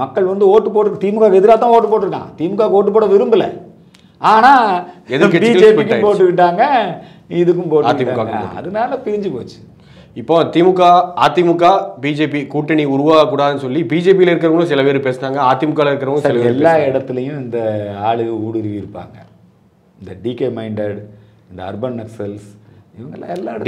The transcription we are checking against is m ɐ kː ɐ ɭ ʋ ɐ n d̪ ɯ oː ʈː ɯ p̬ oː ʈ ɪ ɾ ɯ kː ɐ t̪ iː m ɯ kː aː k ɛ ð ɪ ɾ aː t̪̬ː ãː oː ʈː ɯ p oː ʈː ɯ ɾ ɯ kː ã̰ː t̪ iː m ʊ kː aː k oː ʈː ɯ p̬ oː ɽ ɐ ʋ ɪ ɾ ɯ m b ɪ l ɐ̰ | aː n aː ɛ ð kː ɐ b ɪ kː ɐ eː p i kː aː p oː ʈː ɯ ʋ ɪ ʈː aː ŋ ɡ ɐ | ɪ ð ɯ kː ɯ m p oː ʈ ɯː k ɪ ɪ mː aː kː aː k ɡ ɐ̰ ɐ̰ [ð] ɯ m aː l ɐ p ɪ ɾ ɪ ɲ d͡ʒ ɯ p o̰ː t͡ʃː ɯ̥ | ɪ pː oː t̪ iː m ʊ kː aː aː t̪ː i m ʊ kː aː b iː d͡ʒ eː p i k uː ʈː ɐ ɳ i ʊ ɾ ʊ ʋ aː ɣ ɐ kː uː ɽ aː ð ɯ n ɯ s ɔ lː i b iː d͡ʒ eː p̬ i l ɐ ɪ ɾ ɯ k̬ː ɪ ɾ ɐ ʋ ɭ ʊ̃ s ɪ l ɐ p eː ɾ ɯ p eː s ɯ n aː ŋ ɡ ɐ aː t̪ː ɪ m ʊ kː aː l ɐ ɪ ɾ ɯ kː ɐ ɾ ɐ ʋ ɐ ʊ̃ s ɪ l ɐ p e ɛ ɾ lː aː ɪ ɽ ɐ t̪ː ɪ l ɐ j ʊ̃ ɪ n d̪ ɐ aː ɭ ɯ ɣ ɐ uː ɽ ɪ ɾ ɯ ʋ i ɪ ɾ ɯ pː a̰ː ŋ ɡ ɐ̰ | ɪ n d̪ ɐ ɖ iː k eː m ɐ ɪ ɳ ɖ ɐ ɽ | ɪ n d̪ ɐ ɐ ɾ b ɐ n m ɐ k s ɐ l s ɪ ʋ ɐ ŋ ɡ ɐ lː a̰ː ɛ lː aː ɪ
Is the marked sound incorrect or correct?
correct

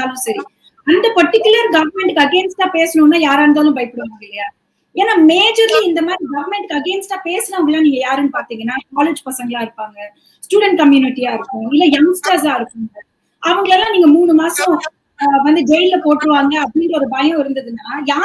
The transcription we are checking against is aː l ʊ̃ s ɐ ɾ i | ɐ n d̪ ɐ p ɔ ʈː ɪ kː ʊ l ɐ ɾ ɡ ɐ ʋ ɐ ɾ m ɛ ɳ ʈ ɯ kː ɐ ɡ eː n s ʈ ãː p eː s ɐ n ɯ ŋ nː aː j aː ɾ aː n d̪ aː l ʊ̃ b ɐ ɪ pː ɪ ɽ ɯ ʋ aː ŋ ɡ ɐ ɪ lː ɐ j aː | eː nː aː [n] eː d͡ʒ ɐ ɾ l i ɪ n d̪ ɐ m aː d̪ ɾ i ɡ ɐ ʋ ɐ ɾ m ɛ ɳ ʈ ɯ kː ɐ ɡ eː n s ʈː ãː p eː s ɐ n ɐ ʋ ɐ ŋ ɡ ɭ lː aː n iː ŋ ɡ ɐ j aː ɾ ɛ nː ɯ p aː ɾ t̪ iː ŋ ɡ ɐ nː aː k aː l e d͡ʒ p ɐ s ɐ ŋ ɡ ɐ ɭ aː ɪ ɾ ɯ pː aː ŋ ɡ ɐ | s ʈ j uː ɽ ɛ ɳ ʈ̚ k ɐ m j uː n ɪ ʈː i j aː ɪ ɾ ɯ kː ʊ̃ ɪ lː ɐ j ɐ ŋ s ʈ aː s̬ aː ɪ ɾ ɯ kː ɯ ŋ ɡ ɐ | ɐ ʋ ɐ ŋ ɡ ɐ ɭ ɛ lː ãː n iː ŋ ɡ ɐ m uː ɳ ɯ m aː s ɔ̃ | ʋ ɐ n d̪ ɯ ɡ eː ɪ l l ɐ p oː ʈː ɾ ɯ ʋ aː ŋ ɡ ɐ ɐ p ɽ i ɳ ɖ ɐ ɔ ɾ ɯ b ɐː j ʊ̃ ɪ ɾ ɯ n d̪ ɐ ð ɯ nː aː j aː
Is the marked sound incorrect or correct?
incorrect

